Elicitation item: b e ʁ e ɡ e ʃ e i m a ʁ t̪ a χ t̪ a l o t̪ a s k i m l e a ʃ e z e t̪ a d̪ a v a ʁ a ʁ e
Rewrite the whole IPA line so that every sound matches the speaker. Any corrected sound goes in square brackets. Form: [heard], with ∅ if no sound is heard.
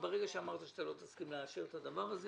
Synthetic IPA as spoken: b e ʁ e ɡ [a] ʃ e [a] m a ʁ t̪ a [ʃ] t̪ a l o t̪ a s k i m l e a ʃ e [ʁ] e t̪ a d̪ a v a ʁ a [z] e